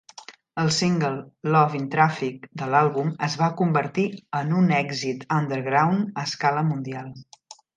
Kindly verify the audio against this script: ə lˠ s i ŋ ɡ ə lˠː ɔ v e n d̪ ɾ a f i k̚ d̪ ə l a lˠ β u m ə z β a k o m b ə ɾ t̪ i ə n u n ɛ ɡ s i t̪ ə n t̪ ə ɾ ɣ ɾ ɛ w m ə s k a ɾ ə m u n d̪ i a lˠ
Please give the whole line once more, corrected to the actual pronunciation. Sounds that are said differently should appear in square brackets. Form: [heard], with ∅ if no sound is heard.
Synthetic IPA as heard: ə lˠ s i ŋ ɡ ə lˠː ɔ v [i] n [t̪] ɾ a f i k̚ d̪ ə l a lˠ β u m ə z β a k [u] m b ə ɾ t̪ i ə n u n ɛ ɡ [z] i t̪ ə n [d̪] ə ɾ ɣ ɾ [a] w [n] ə s k a [l] ə m u n d̪ i a lˠ